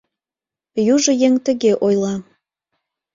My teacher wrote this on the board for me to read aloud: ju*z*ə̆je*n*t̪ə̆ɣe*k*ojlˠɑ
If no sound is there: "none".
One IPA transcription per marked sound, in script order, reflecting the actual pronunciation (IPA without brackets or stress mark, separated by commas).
ʒ, ŋ, ʔ